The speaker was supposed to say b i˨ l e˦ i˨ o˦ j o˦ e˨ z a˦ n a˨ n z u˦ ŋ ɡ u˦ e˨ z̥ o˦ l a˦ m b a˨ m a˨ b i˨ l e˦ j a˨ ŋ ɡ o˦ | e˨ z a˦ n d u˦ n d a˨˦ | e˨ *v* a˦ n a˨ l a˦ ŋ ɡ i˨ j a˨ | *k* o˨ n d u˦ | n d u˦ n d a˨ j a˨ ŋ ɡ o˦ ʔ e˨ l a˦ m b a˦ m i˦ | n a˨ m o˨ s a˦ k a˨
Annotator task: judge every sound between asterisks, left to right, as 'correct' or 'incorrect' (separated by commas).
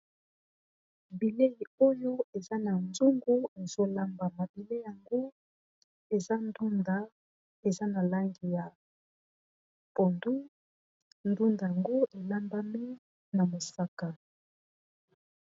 incorrect, incorrect